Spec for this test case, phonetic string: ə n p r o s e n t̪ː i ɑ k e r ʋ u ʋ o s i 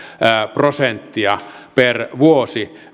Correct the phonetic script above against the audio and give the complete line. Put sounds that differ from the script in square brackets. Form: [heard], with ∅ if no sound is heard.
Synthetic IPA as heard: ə [∅] p r o s e n t̪ː i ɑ [p] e r ʋ u [∅] o s i